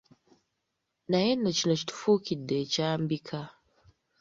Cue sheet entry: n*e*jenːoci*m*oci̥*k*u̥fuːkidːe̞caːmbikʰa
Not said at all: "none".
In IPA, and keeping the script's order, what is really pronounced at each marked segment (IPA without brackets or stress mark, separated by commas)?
a, n, t